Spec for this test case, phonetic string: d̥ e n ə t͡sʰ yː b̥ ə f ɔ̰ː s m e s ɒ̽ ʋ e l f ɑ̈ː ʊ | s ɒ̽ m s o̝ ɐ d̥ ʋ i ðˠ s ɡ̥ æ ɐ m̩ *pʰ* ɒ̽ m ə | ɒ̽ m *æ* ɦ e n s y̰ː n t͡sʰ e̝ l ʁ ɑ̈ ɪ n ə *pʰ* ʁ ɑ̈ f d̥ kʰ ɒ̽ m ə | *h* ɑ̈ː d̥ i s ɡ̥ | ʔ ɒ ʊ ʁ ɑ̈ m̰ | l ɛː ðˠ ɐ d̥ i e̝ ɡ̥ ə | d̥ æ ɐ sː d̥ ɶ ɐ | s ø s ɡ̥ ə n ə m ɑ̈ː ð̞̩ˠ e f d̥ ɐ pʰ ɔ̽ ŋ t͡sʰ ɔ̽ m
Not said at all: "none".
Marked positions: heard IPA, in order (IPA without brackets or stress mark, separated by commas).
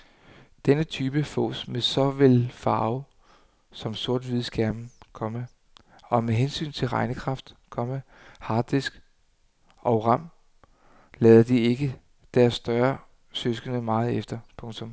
kʰ, e, kʰ, h